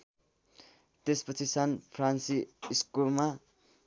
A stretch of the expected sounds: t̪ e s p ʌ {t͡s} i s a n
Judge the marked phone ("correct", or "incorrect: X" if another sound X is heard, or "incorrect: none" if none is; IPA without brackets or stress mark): incorrect: t͡sʰ